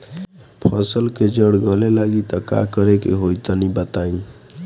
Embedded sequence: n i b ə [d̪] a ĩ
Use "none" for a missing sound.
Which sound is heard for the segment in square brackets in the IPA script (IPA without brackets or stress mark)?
t̪